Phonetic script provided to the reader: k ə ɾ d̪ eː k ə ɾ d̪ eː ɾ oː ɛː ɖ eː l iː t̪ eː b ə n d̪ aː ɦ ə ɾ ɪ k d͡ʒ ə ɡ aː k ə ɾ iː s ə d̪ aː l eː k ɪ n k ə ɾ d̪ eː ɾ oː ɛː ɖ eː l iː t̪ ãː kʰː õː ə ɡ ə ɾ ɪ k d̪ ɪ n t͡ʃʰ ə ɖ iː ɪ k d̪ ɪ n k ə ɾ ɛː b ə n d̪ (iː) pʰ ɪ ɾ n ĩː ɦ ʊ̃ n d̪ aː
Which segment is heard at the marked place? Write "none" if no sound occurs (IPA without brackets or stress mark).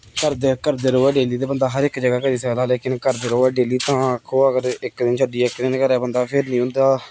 aː